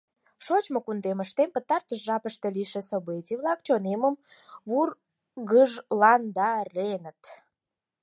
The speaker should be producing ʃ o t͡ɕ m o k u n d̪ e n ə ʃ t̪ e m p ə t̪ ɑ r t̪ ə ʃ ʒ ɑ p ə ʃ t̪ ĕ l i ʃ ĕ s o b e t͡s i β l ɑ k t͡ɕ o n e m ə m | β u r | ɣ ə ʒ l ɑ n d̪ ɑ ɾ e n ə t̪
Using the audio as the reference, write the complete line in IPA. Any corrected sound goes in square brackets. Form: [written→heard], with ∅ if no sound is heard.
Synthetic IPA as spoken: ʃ o t͡ɕ m o k u n d̪ e [n→m] ə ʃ t̪ e m p ə t̪ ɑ r t̪ ə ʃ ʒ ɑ p ə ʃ t̪ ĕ l i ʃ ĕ s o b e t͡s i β l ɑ k t͡ɕ o n e m ə m | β u r | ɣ ə ʒ l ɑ n d̪ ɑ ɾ e n ə t̪